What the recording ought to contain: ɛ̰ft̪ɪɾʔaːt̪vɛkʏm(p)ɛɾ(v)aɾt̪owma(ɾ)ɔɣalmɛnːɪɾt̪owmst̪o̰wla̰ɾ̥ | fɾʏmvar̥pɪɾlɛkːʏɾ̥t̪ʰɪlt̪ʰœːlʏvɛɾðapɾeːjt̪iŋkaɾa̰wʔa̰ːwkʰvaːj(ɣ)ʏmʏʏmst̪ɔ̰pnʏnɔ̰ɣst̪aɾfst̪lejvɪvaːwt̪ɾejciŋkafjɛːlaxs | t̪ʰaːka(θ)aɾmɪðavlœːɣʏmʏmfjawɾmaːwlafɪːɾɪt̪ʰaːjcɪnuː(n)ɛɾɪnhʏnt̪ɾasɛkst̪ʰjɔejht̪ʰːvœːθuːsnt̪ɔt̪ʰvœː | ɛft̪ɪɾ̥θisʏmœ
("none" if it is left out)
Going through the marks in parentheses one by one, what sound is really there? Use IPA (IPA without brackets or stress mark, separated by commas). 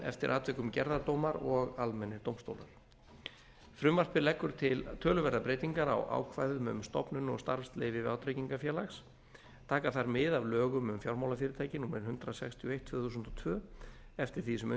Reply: c, ð, ɾ, ð, θ, m